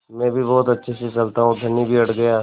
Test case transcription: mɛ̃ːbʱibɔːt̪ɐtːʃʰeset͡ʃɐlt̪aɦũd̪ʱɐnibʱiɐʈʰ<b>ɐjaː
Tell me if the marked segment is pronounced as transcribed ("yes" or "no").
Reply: no